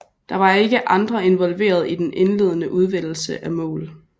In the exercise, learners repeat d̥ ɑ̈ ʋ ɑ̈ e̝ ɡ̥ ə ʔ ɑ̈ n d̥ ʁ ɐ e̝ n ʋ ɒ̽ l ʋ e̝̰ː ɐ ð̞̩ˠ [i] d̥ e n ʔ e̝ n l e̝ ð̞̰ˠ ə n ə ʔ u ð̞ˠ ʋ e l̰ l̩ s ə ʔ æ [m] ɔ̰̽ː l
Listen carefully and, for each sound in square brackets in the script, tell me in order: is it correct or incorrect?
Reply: correct, correct

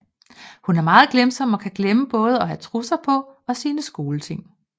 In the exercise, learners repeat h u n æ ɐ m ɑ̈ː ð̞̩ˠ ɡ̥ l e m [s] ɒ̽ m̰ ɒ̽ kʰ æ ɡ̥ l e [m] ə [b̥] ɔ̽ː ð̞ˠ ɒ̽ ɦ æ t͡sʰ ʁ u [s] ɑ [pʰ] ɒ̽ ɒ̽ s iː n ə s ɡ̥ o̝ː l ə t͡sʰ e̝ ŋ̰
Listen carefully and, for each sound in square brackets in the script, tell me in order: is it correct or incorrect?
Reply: correct, correct, correct, correct, correct

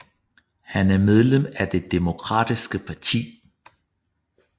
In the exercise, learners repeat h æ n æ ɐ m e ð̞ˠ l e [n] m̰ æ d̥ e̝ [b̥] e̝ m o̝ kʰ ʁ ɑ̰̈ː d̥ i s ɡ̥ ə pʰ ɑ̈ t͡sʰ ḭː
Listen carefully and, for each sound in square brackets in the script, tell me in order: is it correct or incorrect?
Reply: incorrect, incorrect

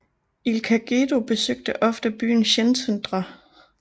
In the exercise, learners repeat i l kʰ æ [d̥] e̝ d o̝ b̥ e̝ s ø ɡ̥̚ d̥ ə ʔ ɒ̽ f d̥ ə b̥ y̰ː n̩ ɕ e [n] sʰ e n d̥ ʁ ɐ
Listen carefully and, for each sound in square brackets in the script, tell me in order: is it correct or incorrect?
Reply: incorrect, correct

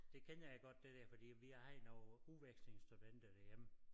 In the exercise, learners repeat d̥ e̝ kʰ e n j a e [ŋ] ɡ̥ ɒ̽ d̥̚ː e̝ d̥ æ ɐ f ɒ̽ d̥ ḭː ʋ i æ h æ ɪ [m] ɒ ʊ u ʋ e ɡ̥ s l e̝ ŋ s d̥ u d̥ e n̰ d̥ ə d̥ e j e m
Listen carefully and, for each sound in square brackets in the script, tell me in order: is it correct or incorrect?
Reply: incorrect, incorrect

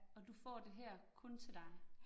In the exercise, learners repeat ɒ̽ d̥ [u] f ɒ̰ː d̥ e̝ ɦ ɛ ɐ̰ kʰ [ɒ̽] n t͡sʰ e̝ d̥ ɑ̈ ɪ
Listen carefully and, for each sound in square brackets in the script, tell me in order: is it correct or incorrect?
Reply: correct, incorrect

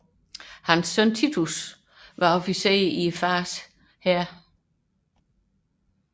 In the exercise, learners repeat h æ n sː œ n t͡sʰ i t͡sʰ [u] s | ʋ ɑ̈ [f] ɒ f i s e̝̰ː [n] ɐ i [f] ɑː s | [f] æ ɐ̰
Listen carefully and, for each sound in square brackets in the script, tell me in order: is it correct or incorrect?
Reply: correct, incorrect, incorrect, correct, incorrect

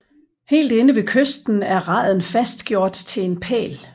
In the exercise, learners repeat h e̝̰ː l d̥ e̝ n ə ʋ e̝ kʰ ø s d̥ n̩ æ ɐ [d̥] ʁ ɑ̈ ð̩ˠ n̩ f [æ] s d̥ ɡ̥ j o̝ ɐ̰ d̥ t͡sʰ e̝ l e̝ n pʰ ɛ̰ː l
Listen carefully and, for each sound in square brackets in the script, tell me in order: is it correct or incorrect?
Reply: incorrect, correct

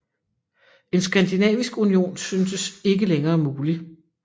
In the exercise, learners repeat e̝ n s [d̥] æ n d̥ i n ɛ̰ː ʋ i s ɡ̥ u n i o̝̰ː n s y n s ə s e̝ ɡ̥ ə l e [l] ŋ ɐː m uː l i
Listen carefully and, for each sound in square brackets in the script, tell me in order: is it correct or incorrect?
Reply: incorrect, incorrect

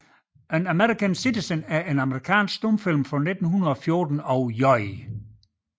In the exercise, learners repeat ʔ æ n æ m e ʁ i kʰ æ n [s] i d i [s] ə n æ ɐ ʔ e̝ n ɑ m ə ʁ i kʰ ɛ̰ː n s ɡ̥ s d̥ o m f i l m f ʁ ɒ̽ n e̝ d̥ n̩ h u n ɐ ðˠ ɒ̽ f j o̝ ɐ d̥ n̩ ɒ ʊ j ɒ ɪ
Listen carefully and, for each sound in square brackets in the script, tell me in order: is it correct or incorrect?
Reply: correct, correct

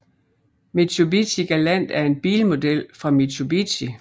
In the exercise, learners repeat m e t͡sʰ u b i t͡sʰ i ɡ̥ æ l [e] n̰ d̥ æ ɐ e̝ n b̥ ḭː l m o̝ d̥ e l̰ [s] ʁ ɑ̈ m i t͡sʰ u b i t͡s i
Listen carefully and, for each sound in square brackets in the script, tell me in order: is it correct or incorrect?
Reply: incorrect, incorrect

